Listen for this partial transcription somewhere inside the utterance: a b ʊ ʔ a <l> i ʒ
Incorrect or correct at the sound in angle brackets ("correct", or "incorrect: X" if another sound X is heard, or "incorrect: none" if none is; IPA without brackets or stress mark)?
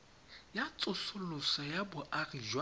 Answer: incorrect: r